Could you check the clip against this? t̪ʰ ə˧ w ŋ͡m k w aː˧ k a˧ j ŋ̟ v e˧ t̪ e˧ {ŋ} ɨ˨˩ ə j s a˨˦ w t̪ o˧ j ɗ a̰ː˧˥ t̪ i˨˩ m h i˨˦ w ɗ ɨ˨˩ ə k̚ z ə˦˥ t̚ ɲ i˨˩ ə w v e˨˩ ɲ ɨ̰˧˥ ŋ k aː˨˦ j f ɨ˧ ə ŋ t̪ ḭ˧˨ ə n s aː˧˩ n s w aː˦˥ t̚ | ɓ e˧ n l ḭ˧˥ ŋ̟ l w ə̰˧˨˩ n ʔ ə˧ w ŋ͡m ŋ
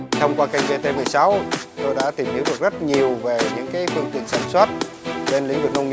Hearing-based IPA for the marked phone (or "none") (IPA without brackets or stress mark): m